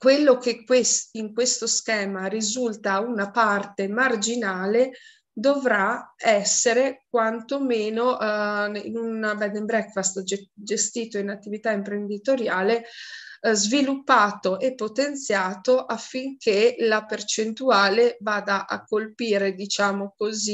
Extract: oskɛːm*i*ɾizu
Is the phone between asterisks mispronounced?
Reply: yes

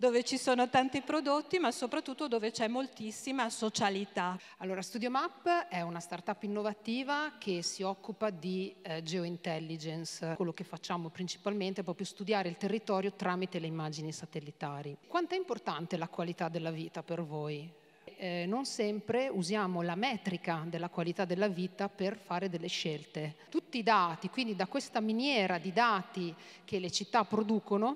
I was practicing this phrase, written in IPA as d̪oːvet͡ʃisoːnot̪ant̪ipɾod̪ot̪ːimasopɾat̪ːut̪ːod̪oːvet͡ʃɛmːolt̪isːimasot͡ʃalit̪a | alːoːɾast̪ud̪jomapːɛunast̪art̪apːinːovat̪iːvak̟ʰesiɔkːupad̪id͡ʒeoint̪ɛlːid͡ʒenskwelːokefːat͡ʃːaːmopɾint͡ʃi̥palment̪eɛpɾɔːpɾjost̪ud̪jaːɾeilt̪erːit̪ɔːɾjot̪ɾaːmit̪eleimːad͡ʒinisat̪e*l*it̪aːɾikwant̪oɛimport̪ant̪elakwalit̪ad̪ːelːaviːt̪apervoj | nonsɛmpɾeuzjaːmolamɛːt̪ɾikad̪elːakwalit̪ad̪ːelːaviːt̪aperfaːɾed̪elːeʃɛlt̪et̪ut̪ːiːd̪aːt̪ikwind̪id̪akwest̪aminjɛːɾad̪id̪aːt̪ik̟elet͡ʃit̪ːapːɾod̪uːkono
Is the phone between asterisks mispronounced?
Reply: yes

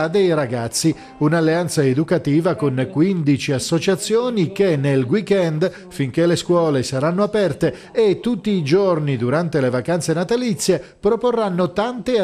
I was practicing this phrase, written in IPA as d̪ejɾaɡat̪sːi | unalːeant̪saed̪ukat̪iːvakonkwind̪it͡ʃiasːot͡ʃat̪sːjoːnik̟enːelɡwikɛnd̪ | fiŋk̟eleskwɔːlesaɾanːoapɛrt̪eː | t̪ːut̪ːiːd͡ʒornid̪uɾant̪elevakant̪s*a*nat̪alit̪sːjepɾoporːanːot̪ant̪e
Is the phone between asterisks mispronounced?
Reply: yes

